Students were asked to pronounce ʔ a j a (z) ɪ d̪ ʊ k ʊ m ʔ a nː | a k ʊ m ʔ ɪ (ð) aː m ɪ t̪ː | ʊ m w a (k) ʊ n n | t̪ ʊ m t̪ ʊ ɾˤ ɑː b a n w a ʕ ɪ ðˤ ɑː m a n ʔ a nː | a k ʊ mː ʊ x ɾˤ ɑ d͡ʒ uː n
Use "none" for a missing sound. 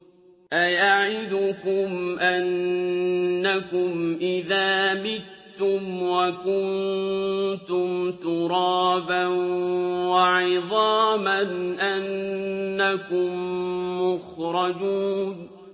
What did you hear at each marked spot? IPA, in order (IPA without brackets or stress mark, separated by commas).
ʕ, ð, k